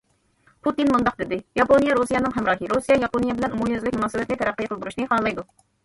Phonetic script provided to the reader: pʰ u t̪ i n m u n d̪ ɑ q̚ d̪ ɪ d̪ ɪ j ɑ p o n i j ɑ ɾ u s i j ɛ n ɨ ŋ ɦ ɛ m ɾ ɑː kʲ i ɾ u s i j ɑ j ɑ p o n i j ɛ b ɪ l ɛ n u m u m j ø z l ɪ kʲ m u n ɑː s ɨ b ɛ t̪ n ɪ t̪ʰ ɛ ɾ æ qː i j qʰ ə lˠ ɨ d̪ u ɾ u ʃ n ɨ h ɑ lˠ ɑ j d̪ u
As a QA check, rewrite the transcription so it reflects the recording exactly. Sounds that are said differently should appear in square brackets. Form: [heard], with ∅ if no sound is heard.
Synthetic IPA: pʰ u t̪ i n m u n d̪ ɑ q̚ d̪ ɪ d̪ ɪ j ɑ p o n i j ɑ ɾ u s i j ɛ n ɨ ŋ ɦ ɛ m ɾ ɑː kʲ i ɾ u s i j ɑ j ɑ p o n i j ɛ b ɪ l ɛ n u m u m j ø z l ɪ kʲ m u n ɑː s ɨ b ɛ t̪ n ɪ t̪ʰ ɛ ɾ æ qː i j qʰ ə lˠ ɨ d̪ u ɾ u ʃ n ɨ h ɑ lˠ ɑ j d̪ u